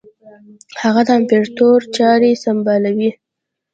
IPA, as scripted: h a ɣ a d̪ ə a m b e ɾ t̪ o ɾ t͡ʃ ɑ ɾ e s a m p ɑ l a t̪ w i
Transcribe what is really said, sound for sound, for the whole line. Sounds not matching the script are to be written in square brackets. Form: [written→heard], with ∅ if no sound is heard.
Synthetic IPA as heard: h a ɣ a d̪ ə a m [b→p] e ɾ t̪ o ɾ t͡ʃ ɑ ɾ e s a m [p→b] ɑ l a [t̪→∅] w i